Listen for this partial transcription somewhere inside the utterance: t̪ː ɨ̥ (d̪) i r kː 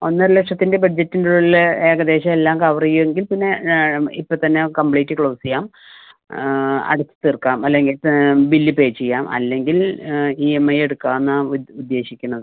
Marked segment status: incorrect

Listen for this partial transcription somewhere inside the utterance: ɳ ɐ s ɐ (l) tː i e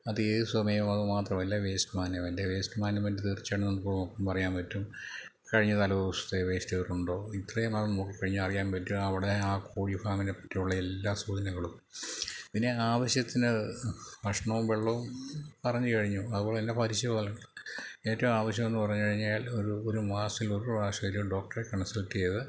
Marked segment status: correct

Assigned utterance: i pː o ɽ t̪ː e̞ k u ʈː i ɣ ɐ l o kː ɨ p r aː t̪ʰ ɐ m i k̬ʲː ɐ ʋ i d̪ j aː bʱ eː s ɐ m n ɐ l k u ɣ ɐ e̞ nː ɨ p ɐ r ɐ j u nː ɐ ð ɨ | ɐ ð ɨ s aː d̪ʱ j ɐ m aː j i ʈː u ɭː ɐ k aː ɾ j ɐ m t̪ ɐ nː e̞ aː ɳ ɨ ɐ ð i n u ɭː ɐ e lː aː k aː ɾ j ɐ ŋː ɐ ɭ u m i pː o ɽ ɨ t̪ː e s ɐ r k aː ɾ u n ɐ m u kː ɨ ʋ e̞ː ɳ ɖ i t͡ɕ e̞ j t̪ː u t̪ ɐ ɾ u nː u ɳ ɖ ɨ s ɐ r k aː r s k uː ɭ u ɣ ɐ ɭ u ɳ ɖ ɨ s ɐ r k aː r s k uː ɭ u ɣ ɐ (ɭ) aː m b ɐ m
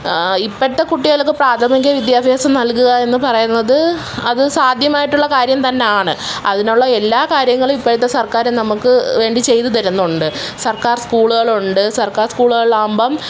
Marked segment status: correct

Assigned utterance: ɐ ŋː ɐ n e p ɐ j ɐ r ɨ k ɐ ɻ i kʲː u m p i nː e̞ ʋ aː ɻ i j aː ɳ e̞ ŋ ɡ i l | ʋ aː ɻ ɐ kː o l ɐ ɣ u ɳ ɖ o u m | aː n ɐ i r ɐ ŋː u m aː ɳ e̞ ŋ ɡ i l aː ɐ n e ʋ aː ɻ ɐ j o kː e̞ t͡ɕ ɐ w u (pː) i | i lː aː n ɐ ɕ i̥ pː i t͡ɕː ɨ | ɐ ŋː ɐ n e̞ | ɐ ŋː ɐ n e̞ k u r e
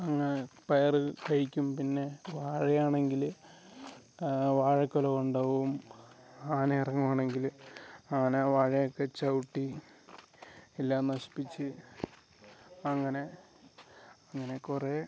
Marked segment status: incorrect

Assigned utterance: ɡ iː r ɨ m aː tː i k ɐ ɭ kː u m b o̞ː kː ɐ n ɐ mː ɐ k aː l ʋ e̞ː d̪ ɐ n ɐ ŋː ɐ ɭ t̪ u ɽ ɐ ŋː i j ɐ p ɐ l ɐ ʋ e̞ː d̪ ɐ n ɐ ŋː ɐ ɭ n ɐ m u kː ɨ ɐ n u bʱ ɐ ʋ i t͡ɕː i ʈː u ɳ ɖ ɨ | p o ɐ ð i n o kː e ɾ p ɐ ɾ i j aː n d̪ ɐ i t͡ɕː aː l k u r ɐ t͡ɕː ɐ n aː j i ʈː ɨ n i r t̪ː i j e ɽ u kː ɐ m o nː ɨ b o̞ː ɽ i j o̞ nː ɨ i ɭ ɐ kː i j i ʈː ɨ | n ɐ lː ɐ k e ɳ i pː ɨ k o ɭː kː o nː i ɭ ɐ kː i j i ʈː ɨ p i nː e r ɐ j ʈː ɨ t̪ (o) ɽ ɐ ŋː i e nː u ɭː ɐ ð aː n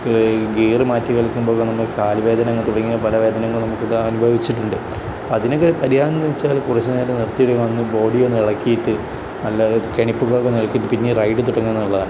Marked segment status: incorrect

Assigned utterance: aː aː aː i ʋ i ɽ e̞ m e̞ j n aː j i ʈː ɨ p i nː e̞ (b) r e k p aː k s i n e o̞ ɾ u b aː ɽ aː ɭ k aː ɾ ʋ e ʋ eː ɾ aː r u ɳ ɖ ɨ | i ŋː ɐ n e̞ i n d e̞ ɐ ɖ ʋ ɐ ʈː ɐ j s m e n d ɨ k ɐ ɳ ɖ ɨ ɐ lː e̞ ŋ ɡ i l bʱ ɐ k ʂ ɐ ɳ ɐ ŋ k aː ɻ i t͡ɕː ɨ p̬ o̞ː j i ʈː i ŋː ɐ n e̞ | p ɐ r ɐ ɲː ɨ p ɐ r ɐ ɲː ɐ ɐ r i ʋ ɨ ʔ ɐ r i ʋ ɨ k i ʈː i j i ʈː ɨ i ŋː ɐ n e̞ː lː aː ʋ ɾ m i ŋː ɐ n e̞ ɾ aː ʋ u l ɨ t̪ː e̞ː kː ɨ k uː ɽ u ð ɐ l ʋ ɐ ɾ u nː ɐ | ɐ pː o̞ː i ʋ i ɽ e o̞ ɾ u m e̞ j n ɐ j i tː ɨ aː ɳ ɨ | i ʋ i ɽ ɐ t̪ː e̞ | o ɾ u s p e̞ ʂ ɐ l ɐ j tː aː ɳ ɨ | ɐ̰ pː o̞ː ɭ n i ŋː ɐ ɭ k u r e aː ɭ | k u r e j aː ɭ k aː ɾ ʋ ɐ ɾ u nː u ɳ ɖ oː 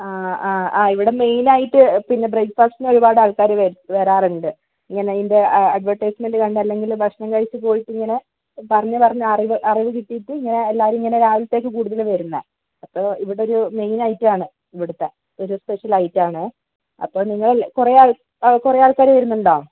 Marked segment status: correct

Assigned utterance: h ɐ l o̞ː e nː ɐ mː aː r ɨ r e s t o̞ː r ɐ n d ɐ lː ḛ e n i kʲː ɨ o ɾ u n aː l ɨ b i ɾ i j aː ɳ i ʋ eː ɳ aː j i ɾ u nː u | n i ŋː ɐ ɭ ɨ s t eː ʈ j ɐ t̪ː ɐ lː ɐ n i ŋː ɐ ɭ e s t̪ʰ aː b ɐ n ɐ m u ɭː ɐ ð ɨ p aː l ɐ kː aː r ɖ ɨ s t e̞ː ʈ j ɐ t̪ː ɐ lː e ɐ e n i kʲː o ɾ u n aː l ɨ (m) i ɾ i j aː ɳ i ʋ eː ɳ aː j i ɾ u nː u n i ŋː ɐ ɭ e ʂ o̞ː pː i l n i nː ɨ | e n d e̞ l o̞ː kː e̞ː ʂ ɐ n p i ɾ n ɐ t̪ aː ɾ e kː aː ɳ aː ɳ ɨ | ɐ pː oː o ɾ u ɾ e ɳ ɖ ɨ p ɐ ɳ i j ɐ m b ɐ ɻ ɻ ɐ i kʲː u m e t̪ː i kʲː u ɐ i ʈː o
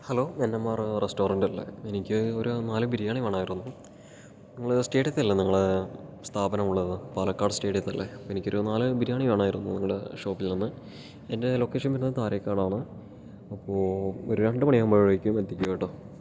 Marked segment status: incorrect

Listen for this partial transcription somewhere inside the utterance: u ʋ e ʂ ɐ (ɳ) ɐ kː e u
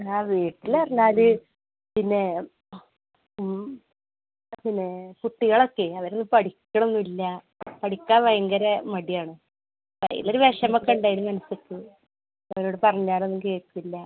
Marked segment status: incorrect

